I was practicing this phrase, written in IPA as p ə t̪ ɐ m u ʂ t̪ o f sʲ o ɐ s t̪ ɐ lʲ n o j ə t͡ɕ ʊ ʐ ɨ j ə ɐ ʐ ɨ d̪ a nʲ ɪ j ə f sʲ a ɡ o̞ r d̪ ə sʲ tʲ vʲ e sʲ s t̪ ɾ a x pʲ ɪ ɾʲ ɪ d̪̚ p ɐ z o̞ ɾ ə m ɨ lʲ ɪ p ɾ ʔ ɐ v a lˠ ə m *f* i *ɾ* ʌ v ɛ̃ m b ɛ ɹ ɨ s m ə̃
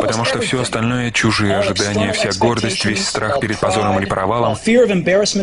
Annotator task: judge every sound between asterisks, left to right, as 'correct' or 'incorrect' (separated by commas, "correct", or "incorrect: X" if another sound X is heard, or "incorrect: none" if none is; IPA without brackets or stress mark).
correct, incorrect: ɹ